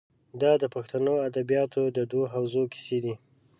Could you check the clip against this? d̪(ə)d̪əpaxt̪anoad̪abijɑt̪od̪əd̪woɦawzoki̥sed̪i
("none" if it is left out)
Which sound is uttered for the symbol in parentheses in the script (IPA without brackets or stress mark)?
ɑ